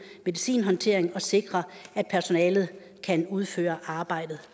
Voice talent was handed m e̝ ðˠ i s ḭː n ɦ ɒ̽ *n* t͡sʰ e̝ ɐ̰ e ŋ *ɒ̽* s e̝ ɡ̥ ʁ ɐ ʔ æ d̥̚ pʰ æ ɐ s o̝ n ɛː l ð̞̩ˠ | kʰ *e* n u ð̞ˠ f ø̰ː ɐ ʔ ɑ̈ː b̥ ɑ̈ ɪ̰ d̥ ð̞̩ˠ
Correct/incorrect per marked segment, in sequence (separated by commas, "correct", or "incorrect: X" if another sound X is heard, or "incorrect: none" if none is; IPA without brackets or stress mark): correct, correct, incorrect: æ